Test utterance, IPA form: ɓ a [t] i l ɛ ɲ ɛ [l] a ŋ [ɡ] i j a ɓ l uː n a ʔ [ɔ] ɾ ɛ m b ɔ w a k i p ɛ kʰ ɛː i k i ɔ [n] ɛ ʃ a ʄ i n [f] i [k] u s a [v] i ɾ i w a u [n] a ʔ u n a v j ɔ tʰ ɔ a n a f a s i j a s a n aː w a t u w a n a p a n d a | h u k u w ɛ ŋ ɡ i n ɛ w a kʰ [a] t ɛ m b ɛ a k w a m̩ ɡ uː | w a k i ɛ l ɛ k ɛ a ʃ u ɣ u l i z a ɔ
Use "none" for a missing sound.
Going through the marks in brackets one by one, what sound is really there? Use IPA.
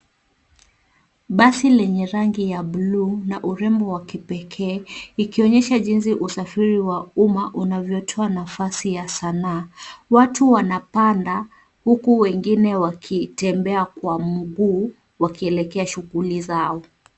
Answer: s, ɾ, ɡ, u, ɲ, s, ʔ, f, m, i

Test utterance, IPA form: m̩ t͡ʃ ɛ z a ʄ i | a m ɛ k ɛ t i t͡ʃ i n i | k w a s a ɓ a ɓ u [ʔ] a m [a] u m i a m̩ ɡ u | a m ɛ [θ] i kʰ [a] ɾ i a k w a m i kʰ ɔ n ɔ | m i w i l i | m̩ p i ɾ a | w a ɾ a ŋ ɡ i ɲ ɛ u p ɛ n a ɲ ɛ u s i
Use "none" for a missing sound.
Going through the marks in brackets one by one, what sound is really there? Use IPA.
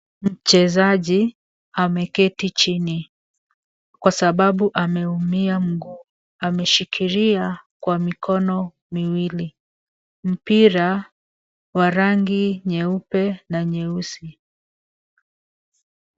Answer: ʔ, ɛ, ʃ, i

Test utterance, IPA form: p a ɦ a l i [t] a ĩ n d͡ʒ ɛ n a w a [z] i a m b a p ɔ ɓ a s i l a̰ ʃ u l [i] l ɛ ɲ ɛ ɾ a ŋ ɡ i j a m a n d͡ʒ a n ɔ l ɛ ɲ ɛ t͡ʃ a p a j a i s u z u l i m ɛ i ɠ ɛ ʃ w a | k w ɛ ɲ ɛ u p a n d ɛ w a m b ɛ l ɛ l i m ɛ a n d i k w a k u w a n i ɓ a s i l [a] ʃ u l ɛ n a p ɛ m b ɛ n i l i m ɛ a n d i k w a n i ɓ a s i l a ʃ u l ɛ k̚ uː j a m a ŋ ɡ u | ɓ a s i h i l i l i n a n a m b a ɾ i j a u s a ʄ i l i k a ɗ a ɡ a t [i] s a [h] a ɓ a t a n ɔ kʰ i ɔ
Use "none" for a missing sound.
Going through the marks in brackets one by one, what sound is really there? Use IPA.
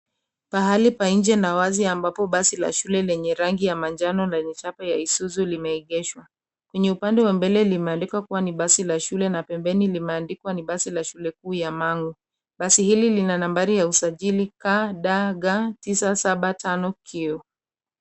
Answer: p, z, ɛ, a, i, s

